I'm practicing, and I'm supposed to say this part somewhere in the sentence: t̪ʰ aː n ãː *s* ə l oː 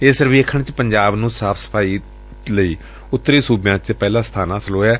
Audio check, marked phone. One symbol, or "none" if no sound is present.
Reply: s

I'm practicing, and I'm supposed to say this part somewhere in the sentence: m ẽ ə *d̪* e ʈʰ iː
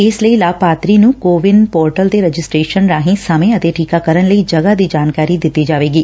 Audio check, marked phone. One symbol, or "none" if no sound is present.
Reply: t̪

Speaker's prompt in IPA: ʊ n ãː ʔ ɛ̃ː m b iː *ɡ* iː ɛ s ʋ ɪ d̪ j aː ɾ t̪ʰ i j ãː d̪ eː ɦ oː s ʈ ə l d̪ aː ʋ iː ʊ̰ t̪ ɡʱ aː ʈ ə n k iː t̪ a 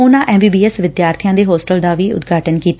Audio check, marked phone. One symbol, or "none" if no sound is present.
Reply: b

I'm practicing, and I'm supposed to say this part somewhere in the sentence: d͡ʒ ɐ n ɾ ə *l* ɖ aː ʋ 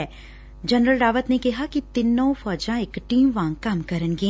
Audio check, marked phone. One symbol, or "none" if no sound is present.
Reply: l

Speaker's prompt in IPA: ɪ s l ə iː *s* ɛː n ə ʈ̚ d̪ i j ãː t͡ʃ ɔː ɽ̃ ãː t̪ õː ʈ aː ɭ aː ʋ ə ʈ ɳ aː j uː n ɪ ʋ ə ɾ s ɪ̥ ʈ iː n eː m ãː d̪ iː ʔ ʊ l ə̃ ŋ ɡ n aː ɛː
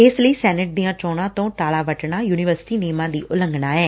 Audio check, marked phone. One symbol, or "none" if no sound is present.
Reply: s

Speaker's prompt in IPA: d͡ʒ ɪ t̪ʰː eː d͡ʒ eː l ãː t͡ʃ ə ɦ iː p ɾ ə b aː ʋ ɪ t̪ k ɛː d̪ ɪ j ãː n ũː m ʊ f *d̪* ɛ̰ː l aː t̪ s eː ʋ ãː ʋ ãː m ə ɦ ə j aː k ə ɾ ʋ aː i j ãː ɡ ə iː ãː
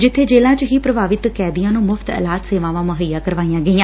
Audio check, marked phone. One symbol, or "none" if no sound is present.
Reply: t̪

